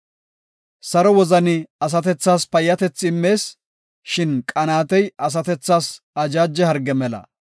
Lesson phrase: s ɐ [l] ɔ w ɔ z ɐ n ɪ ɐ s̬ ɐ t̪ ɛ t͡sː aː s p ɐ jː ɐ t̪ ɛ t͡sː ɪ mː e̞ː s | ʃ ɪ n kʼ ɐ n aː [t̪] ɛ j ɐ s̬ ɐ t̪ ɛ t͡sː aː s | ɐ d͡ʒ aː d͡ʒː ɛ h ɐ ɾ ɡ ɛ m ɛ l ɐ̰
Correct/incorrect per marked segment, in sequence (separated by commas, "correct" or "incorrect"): incorrect, correct